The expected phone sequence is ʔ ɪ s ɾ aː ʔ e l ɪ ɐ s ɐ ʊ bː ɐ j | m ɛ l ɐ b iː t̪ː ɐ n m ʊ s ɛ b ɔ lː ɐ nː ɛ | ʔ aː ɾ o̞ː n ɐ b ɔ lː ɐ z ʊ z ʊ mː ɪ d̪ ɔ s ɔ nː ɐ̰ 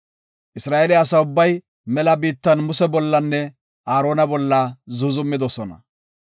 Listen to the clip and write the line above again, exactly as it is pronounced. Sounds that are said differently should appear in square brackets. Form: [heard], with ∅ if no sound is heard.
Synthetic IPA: ʔ ɪ s ɾ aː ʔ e l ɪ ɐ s ɐ ʊ bː ɐ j | m ɛ l ɐ b iː t̪ː ɐ n m ʊ s ɛ b ɔ lː ɐ nː ɛ | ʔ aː ɾ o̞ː n ɐ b ɔ lː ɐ z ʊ z ʊ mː ɪ d̪ ɔ s ɔ [n] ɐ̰